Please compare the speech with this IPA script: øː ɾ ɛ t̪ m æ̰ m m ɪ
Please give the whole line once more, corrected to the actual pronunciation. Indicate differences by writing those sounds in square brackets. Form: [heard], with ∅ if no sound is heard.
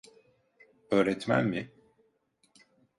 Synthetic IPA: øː ɾ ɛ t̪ m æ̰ [n] m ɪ